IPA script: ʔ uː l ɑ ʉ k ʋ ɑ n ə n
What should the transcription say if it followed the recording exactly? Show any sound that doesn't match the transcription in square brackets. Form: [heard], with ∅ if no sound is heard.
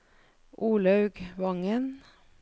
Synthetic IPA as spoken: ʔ uː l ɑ ʉ [ɡ] ʋ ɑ [ŋ] ə n